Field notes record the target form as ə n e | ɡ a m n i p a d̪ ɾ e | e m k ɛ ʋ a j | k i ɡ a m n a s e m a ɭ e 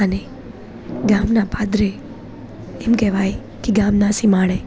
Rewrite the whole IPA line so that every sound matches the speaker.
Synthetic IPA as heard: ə n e | ɡ a m n a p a d̪ ɾ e | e m k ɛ ʋ a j | k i ɡ a m n a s i m a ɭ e